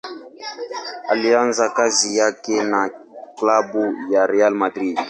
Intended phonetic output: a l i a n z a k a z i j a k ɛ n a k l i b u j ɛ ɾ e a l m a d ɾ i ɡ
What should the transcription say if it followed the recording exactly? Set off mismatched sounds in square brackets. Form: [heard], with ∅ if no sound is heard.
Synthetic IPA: a l i a n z a k a z i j a k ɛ n a k l [a] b u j [a] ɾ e a l m a d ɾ i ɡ